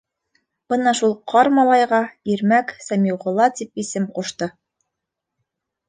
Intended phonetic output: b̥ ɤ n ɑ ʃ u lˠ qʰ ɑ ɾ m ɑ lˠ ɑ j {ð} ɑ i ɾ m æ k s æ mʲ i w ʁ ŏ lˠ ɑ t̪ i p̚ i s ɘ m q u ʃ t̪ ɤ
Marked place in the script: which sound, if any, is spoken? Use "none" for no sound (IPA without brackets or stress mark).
ʁ